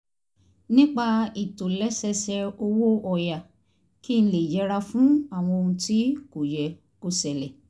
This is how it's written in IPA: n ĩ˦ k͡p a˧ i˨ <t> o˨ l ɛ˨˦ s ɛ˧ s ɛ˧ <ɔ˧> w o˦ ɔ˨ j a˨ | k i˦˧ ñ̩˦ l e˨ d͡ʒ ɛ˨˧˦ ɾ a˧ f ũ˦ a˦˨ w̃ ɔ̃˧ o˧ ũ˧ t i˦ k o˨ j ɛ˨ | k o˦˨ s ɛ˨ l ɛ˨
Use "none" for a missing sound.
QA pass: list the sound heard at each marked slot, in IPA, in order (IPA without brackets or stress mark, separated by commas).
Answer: t, o˧